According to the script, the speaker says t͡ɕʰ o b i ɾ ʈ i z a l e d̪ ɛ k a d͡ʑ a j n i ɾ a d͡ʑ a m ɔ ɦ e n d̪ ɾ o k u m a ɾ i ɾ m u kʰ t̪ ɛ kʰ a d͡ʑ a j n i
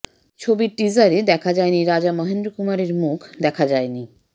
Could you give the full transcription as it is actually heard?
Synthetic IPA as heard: t͡ɕʰ o b i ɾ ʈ i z a ɾ e d̪ ɛ kʰ a d͡ʑ a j n i ɾ a d͡ʑ a m ɔ ɦ e n d̪ ɾ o k u m a ɾ e ɾ m u kʰ d̪ ɛ kʰ a d͡ʑ a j n i